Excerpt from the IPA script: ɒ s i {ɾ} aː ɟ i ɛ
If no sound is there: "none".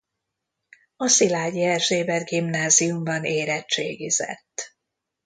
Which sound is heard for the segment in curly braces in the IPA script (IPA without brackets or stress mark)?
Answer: l